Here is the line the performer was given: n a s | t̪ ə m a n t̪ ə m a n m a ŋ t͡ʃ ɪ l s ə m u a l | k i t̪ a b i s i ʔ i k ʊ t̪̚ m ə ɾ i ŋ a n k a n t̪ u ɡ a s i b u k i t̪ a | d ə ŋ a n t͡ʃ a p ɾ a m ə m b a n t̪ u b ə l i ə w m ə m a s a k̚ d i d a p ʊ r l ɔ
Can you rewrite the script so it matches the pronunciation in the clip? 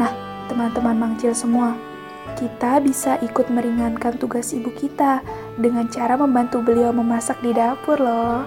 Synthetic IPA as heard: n a h | t̪ ə m a n t̪ ə m a n m a ŋ t͡ʃ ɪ l s ə m u a | k i t̪ a b i s a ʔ i k ʊ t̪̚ m ə ɾ i ŋ a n k a n t̪ u ɡ a s i b u k i t̪ a | d ə ŋ a n t͡ʃ a ɾ a m ə m b a n t̪ u b ə l i a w m ə m a s a k̚ d i d a p ʊ r l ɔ